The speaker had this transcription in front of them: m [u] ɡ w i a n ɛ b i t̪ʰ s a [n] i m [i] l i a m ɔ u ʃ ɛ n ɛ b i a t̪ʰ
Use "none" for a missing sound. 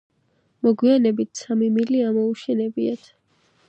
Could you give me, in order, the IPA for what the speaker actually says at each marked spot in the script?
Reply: ɔ, m, i

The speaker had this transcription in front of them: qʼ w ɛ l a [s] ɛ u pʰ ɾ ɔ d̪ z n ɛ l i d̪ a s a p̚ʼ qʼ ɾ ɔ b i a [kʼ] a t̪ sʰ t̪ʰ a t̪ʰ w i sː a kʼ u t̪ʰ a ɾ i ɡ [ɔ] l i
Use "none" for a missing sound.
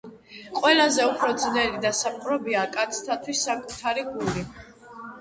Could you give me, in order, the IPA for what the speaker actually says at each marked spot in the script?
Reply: z, kʼ, u

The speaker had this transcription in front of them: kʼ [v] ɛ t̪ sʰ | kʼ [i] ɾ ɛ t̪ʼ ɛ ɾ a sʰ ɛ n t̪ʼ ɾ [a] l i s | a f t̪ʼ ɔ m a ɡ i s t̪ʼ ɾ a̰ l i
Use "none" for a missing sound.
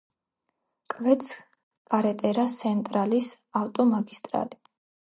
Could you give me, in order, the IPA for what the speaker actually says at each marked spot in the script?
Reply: v, a, a

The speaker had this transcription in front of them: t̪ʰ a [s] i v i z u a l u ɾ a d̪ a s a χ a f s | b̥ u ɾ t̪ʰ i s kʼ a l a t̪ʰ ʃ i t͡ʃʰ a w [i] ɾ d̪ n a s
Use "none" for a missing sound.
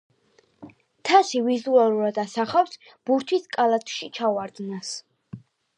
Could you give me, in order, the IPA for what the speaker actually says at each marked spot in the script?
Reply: s, a

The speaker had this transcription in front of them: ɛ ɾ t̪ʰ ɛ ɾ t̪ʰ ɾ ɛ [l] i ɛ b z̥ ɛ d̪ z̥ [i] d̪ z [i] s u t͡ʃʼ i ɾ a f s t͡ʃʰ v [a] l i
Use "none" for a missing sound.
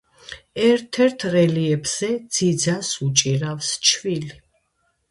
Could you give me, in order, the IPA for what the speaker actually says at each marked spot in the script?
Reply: l, i, a, i

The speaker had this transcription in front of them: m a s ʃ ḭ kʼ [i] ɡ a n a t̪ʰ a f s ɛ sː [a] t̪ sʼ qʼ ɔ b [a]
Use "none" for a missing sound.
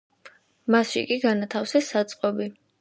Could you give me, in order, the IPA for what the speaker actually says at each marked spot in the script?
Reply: i, a, i

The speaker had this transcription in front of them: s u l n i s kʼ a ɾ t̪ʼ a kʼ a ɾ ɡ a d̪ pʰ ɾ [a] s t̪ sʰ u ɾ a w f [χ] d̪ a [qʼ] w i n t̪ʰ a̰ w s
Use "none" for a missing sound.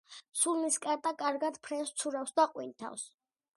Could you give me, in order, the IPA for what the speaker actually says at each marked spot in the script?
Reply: ɛ, s, qʼ

